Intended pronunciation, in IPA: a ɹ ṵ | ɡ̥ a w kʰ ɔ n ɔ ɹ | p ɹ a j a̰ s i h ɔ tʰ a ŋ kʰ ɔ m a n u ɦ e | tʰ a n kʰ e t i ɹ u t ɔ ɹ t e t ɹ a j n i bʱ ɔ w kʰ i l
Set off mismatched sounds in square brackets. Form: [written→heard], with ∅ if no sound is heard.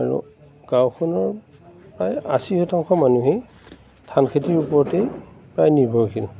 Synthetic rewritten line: a ɹ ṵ | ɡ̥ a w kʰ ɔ n ɔ ɹ | p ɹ a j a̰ s i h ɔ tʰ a ŋ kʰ ɔ m a n u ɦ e | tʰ a n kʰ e t i ɹ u [t→p] ɔ ɹ t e [t→p] ɹ a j n i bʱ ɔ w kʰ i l